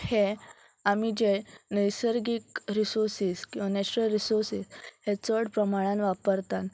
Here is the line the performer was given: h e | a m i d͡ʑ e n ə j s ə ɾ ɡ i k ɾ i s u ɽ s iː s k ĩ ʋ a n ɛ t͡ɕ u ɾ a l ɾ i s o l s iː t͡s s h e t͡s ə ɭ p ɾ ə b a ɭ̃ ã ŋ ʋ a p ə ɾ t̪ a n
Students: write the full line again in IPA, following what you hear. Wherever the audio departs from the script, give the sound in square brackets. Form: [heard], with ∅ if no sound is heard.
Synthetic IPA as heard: h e | a m i d͡ʑ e n ə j s ə ɾ ɡ i k ɾ i s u [ɾ] s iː s k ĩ ʋ a n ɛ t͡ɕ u ɾ [ə] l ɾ i s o [ɾ] s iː [∅] s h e t͡s ə [ɽ] p ɾ ə [m] a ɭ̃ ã [n] ʋ a p ə ɾ t̪ a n